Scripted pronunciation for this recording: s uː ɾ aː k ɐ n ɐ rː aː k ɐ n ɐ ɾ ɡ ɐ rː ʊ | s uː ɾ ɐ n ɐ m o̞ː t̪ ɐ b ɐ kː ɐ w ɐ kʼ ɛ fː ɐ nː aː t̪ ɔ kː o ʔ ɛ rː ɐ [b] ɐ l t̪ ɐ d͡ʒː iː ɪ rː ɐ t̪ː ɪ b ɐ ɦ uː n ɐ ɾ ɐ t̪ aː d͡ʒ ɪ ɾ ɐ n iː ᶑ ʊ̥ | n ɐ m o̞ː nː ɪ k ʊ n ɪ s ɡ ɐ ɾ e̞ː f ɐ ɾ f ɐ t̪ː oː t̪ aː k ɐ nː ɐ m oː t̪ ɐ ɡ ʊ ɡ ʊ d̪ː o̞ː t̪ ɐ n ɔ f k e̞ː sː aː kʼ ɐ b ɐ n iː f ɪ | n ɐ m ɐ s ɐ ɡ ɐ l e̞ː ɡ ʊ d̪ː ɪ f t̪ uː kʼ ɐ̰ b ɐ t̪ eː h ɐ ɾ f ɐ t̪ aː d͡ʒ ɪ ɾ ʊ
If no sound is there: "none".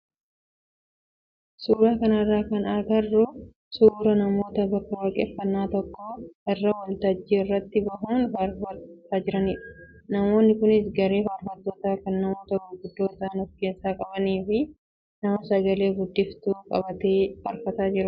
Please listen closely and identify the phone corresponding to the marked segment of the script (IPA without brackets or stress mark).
w